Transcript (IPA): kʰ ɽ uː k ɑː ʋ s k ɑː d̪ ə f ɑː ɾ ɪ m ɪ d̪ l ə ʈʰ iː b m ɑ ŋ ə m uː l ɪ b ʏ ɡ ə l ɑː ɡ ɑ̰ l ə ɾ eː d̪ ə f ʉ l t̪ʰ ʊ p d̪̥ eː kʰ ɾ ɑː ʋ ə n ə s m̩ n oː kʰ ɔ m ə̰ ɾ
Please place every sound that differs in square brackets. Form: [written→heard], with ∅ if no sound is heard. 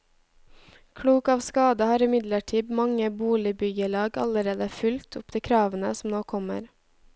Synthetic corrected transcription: kʰ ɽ uː k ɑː ʋ s k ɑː d̪ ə [f→h] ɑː ɾ ɪ m ɪ d̪ l ə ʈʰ iː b m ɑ ŋ ə [m→b] uː l ɪ b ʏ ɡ ə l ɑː ɡ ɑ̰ l ə ɾ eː d̪ ə f ʉ l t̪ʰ ʊ p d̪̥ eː kʰ ɾ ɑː ʋ ə n ə s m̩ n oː kʰ ɔ m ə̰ ɾ